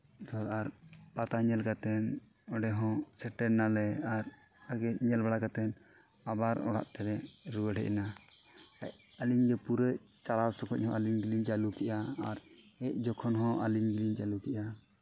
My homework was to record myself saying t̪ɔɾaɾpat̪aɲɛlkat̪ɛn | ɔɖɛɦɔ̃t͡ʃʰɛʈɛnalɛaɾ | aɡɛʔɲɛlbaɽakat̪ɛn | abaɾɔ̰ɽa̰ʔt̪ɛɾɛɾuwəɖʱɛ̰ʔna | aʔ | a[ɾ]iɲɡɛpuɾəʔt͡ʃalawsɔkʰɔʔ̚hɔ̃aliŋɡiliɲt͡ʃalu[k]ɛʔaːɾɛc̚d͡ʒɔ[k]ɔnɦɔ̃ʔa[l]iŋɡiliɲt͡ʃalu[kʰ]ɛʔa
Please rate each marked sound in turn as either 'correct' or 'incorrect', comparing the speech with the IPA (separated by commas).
incorrect, correct, incorrect, correct, incorrect